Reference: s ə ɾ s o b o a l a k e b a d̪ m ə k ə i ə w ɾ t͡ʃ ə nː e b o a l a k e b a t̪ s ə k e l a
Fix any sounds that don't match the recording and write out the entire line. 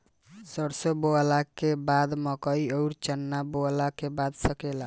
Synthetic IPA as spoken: s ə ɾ s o b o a l a k e b a d̪ m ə k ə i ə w ɾ t͡ʃ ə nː a b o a l a k e b a d̪ s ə k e l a